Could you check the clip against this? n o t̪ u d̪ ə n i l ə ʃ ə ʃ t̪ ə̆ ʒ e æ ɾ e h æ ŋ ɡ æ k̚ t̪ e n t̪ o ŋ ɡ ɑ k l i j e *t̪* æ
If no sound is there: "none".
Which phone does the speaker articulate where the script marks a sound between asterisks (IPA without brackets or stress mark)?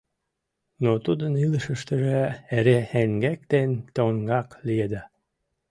d̪